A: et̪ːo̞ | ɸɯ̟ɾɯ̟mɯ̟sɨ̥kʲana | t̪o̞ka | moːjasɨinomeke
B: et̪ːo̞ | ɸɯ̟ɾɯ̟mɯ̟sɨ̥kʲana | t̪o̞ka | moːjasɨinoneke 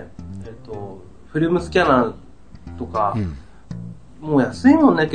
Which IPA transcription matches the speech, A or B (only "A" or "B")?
B